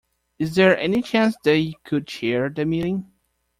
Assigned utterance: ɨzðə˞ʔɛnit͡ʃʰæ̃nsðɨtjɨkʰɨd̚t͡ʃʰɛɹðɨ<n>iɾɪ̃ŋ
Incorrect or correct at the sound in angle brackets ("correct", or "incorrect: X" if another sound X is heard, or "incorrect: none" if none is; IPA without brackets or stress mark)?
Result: incorrect: m